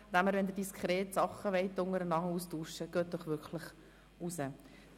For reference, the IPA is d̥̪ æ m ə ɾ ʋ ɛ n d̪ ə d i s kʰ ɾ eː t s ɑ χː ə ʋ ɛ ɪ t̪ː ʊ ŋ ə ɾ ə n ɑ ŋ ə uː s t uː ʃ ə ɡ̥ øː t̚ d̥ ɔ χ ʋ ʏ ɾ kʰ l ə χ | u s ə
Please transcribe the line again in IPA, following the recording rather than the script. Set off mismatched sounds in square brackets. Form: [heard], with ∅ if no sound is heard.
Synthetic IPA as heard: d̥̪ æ m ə ɾ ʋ ɛ n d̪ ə d i s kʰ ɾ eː t s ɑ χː ə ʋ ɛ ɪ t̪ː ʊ ŋ ə ɾ ə n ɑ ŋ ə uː s t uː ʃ ə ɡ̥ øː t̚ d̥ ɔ χ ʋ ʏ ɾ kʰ l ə χ | u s ə